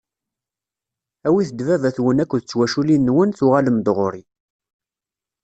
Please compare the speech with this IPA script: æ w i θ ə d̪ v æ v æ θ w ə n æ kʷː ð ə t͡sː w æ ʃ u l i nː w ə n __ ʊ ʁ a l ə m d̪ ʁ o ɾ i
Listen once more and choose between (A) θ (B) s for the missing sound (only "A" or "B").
A